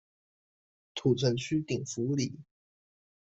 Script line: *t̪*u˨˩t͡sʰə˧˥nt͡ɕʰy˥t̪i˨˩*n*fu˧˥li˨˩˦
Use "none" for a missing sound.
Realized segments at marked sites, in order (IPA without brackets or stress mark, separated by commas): t̪ʰ, ŋ